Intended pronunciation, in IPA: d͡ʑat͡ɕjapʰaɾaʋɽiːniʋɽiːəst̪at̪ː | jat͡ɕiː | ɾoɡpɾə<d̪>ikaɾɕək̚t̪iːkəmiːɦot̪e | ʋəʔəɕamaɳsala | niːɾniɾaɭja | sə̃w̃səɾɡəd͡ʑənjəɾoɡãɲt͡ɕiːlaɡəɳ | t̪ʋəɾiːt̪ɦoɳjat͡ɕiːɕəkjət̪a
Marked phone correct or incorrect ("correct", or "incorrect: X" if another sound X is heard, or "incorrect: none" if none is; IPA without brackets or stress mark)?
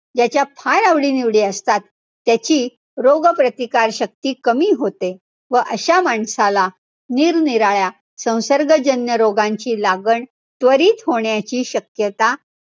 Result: incorrect: t̪